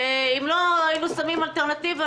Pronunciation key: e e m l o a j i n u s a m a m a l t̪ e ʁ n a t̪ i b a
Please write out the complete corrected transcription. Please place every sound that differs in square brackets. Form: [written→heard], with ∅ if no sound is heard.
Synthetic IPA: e [e→i] m l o a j i n u s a m [a→i] m a l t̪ e ʁ n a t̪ i [b→v] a